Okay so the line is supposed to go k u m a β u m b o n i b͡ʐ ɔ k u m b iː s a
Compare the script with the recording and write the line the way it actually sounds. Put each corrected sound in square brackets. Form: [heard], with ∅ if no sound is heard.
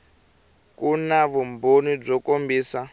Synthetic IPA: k u [n] a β u m b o n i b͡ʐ ɔ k [o] m b iː s a